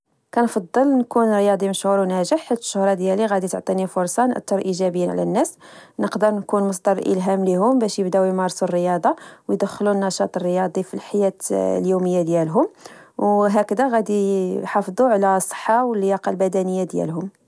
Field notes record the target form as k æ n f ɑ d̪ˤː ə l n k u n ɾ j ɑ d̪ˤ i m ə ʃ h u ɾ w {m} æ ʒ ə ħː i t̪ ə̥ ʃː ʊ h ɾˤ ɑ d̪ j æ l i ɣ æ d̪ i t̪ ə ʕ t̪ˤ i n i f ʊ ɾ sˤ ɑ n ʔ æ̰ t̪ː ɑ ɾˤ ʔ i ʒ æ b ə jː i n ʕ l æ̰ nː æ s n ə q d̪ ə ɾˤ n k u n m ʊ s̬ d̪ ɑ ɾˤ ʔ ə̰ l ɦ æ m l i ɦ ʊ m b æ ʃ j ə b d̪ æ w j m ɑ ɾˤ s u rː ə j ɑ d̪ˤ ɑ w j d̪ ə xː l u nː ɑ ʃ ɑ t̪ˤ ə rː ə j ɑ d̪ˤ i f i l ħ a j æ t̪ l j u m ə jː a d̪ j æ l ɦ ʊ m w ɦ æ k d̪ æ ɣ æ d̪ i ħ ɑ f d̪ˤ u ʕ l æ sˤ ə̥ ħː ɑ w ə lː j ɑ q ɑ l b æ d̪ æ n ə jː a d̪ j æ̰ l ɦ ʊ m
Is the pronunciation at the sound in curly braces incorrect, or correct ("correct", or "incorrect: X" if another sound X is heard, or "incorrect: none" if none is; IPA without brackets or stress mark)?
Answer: incorrect: n